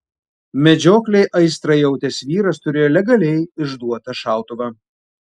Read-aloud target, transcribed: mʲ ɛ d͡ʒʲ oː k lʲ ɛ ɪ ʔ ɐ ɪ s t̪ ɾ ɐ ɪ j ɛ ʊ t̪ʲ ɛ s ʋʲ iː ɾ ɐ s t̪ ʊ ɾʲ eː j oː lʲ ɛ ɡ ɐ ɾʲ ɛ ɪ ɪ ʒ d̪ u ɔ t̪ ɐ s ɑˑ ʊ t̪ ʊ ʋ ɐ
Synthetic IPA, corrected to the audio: mʲ ɛ d͡ʒʲ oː k lʲ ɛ ɪ ʔ ɐ ɪ s t̪ ɾ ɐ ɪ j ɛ ʊ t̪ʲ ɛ s ʋʲ iː ɾ ɐ s t̪ ʊ ɾʲ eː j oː lʲ ɛ ɡ ɐ lʲ ɛ ɪ ɪ ʒ d̪ u ɔ t̪ ɐ ʃ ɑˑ ʊ t̪ ʊ ʋ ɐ